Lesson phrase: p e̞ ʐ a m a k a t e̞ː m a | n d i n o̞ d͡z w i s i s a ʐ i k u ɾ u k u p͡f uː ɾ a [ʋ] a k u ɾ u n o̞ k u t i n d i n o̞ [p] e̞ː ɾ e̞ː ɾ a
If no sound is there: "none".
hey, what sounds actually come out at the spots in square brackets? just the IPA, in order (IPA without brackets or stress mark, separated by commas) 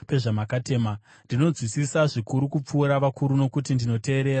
ʋ, t